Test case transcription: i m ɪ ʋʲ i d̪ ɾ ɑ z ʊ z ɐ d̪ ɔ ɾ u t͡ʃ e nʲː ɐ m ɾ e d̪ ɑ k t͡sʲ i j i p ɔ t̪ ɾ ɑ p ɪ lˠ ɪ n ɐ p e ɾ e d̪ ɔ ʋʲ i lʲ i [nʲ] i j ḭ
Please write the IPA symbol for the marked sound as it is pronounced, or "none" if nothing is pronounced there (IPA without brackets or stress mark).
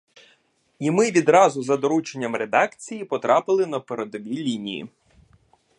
nʲ